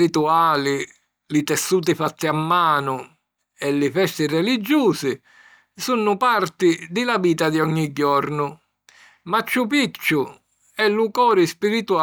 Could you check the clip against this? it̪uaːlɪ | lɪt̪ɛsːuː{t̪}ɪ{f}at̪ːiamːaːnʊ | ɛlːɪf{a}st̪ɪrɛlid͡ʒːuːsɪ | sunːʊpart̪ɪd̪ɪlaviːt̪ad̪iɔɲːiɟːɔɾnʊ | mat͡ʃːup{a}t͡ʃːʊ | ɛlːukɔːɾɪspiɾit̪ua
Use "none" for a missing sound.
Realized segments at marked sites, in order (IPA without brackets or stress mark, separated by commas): t̪, f, ɛ, i